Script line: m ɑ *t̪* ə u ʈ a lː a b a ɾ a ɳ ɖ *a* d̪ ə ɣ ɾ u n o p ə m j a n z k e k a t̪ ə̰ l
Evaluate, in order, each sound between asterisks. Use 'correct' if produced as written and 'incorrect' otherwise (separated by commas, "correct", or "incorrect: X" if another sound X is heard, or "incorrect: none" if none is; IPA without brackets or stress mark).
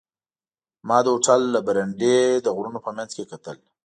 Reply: incorrect: d̪, incorrect: e